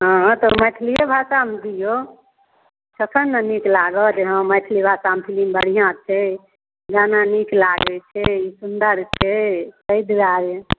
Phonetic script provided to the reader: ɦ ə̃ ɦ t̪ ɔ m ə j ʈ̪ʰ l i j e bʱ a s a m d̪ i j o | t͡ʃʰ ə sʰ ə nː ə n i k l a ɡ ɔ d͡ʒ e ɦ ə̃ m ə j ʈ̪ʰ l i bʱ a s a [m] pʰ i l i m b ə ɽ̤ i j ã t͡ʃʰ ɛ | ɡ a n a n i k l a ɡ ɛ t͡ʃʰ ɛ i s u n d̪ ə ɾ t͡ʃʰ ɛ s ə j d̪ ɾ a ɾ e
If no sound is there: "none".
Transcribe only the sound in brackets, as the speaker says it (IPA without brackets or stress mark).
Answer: m